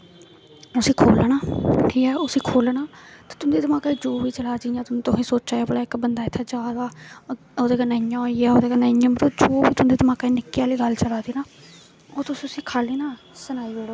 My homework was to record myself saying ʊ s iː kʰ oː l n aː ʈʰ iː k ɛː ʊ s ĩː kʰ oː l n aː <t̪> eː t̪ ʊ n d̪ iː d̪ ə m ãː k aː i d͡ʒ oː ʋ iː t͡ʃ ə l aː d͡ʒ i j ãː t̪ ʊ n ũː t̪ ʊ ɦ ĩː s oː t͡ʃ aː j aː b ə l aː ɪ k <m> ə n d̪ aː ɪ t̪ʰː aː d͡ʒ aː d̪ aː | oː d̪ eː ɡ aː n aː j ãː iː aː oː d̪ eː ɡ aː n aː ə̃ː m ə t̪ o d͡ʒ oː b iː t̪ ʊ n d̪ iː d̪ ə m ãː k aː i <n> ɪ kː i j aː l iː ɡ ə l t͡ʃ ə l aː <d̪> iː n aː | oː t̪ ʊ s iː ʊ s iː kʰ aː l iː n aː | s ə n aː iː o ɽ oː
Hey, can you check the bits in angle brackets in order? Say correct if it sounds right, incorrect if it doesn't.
correct, incorrect, correct, correct

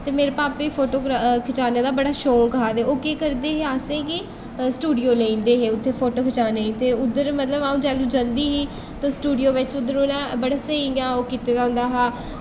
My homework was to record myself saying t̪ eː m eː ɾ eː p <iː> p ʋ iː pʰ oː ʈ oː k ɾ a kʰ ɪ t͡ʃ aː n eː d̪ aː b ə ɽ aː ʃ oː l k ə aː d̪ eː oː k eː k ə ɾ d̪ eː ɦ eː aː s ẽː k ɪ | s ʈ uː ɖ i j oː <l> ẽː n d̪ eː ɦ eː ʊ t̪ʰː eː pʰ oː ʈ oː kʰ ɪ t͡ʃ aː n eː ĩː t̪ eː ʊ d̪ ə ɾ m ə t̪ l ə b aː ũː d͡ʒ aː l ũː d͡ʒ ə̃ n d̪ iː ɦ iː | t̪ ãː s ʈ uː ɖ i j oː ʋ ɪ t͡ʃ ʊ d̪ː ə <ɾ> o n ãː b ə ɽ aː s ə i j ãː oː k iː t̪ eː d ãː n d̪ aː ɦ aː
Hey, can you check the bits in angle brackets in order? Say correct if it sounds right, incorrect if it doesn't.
incorrect, correct, correct

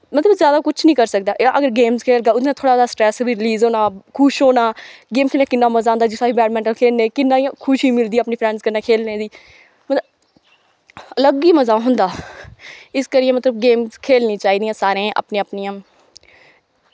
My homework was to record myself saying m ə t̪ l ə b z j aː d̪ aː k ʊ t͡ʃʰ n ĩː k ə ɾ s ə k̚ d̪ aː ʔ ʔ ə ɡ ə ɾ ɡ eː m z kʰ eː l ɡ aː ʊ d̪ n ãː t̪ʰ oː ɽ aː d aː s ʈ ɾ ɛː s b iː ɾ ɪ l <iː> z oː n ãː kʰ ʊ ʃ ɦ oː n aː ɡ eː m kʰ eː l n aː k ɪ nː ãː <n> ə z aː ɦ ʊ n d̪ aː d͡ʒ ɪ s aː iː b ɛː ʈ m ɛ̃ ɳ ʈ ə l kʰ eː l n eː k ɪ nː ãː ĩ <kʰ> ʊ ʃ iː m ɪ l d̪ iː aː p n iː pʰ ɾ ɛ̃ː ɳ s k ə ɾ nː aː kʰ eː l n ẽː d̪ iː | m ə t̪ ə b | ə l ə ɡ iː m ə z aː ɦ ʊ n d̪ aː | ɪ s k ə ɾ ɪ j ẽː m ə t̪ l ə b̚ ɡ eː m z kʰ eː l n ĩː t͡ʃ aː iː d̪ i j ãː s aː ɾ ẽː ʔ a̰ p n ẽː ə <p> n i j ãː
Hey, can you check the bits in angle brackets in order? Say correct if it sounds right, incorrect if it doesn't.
correct, incorrect, correct, correct

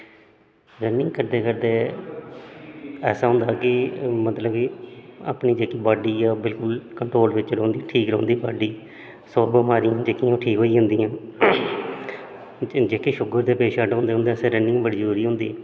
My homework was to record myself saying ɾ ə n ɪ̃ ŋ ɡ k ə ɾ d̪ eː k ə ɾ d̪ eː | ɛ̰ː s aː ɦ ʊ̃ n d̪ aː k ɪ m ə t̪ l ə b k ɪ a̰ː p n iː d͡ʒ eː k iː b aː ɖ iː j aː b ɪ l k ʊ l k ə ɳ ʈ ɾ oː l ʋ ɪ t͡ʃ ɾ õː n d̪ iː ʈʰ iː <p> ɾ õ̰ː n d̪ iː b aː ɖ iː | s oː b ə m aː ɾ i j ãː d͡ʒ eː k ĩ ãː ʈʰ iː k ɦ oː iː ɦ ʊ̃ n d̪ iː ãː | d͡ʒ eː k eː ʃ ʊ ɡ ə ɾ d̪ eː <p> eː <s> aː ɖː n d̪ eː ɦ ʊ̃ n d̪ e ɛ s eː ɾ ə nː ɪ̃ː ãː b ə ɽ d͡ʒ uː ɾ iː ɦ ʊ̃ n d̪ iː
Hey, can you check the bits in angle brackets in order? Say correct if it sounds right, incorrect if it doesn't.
incorrect, correct, incorrect

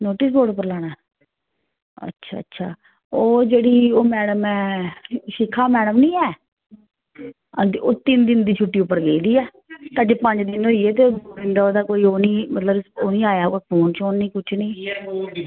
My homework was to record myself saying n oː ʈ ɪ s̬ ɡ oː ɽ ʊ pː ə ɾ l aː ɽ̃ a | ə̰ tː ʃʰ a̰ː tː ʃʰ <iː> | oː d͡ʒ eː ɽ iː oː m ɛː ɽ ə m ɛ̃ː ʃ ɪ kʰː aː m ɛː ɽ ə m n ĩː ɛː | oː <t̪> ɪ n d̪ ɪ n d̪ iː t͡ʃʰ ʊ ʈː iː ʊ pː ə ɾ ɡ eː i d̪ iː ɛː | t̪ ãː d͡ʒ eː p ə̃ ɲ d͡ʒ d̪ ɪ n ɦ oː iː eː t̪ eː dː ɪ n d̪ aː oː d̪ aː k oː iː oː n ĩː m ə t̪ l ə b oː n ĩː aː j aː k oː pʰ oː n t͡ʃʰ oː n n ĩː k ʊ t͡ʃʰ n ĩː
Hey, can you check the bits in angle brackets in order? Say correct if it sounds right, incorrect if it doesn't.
incorrect, correct

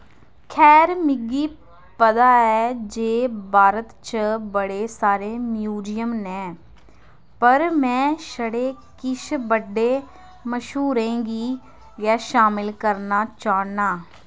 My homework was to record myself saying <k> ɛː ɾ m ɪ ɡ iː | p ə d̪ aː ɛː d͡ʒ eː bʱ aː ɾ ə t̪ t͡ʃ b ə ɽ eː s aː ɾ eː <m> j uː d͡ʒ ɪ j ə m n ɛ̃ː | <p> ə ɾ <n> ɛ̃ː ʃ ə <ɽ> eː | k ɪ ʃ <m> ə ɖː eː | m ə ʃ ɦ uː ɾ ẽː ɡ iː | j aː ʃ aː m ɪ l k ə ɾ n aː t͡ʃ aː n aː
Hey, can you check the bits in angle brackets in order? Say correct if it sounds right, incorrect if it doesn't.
incorrect, correct, correct, incorrect, correct, incorrect

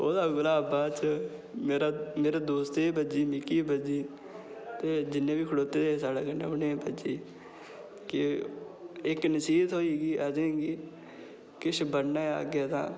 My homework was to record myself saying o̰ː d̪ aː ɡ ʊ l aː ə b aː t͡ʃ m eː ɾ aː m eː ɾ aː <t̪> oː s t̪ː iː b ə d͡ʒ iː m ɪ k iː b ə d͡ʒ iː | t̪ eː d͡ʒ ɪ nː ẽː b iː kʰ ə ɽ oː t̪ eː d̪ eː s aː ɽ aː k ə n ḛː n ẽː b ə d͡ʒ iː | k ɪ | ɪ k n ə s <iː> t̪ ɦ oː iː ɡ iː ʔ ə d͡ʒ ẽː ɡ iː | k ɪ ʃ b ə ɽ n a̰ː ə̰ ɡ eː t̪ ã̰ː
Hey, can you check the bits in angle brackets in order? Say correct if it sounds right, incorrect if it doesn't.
incorrect, correct

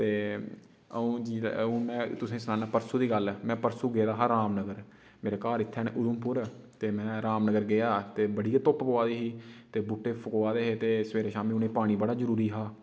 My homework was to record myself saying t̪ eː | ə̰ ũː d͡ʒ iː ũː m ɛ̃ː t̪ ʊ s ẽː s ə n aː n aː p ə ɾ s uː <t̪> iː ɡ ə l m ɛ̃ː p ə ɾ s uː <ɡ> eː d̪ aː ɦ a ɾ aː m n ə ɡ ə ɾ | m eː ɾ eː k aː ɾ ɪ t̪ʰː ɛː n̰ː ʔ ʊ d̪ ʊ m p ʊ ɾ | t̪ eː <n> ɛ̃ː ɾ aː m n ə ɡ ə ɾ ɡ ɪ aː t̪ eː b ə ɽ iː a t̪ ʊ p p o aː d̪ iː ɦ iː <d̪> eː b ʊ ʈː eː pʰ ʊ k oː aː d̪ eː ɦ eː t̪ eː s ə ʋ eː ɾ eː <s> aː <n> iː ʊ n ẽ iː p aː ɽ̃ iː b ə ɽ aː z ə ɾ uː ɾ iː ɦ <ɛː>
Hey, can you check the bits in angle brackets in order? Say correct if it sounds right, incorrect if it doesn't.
incorrect, correct, incorrect, incorrect, incorrect, incorrect, incorrect

